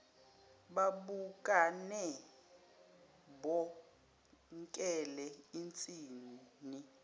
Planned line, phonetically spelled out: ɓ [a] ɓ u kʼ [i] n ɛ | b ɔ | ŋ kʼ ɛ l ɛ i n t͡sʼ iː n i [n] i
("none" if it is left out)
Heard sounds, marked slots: a, a, n

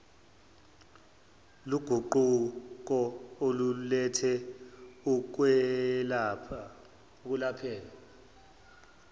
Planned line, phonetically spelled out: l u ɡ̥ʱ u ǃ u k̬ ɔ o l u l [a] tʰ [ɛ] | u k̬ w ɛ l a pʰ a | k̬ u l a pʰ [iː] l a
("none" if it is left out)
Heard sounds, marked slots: ɛ, ɛ, ɛː

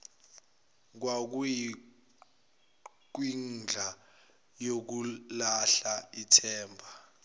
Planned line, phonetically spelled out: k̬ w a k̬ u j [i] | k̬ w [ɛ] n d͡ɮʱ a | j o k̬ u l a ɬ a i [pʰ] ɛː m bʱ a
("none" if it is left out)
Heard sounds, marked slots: i, i, tʰ

